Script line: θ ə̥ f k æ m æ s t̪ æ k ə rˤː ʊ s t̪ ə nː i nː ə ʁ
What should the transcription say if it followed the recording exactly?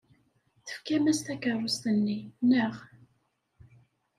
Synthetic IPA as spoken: θ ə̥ f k æ m æ s t̪ æ k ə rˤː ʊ s t̪ ə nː i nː ə ʁ